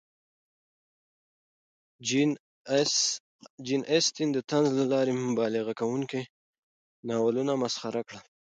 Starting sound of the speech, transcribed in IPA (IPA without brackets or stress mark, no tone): d͡ʒ